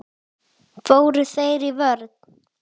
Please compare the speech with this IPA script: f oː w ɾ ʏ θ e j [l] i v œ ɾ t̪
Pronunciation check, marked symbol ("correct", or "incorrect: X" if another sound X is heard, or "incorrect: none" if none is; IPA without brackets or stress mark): incorrect: ɾ